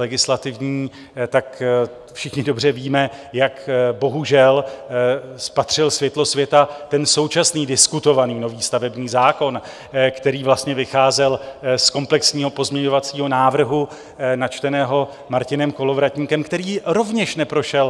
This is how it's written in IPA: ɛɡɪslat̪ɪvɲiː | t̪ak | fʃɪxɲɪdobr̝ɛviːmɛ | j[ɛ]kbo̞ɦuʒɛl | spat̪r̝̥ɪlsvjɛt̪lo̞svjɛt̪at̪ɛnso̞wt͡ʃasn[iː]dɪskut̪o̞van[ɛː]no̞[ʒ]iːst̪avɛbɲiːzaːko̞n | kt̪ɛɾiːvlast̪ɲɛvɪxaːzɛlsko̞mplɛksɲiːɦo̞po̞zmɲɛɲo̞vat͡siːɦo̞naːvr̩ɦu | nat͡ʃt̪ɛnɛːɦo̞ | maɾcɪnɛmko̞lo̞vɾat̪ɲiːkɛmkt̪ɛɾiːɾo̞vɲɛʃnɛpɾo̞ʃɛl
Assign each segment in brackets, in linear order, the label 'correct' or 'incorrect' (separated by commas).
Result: incorrect, correct, incorrect, incorrect